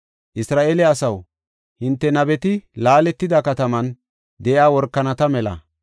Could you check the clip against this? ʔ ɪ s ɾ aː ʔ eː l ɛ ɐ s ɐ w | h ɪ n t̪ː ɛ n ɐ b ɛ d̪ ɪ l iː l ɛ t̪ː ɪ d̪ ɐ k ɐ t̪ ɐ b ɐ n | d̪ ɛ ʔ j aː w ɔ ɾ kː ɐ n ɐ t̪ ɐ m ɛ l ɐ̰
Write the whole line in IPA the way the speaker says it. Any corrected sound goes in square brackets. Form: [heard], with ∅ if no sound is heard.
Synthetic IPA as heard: ʔ ɪ s ɾ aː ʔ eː l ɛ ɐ s ɐ w | h ɪ n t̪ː ɛ n ɐ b ɛ [t̪] ɪ l [aː] l ɛ t̪ː ɪ d̪ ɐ k ɐ t̪ ɐ [m] ɐ n | d̪ ɛ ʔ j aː w ɔ ɾ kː ɐ n ɐ t̪ ɐ m ɛ l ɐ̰